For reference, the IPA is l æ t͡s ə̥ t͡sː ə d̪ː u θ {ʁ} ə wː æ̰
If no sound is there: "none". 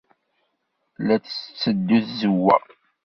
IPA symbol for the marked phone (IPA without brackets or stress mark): z